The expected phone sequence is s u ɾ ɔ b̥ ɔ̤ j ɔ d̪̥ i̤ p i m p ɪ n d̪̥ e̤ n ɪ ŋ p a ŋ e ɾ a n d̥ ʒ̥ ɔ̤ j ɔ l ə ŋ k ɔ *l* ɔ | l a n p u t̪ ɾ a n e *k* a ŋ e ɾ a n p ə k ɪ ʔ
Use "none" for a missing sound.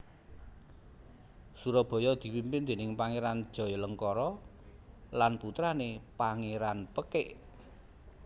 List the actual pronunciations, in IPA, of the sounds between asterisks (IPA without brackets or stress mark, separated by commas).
ɾ, p